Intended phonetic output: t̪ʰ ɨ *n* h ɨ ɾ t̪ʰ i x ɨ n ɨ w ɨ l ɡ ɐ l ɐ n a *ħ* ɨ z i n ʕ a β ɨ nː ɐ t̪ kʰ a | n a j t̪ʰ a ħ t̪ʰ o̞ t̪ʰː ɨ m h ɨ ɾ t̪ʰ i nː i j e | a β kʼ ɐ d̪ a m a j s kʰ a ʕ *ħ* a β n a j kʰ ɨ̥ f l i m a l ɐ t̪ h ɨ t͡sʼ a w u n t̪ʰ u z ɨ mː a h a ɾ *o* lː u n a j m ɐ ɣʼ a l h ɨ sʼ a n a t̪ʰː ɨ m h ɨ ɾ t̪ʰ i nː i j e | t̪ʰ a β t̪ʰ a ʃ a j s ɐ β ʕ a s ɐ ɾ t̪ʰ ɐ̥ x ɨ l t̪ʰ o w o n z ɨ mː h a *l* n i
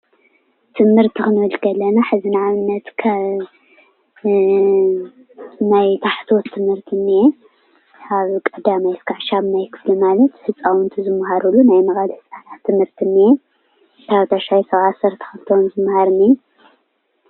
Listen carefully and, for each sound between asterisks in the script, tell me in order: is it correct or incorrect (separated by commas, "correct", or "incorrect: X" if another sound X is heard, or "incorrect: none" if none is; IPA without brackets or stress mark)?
incorrect: m, correct, incorrect: ʃ, incorrect: u, incorrect: ɾ